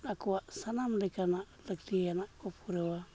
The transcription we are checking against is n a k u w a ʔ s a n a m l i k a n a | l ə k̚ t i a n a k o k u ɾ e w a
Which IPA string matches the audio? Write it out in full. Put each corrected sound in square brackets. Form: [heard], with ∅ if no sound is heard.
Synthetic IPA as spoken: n a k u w a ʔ s a n a m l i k a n a | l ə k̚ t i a n a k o [p] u ɾ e w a